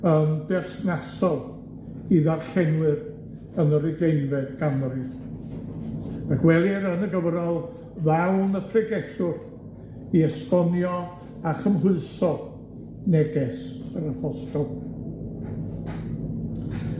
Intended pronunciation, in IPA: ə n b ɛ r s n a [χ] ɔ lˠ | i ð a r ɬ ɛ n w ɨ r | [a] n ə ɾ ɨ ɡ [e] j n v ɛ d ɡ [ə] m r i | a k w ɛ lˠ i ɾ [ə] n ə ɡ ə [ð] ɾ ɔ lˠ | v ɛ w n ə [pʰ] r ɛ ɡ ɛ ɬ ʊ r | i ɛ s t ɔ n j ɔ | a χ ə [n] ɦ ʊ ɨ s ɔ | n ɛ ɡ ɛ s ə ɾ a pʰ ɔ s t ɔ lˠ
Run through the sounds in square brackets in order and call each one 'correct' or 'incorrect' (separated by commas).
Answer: incorrect, incorrect, correct, incorrect, correct, incorrect, correct, incorrect